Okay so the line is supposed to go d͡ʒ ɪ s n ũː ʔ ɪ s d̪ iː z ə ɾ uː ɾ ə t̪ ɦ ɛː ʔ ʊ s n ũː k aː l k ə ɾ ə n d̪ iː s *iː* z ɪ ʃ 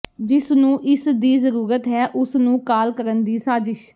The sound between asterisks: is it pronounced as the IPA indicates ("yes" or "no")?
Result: no